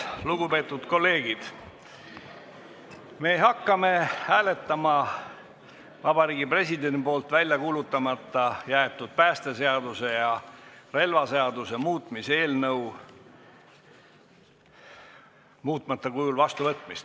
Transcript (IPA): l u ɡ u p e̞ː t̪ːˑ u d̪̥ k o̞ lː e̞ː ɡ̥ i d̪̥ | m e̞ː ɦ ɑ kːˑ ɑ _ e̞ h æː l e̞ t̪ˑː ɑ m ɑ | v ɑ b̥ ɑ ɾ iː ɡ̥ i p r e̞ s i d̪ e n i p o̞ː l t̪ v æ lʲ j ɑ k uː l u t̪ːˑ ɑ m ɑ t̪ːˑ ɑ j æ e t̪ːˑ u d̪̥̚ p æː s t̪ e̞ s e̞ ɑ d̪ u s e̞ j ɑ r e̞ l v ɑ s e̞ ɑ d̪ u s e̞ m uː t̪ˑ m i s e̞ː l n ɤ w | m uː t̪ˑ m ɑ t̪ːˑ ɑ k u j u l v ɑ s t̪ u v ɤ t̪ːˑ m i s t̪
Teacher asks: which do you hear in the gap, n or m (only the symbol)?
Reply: m